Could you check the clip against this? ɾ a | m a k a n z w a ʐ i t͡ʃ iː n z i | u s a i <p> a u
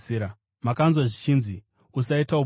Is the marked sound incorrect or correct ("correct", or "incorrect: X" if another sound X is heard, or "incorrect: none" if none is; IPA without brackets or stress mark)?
incorrect: t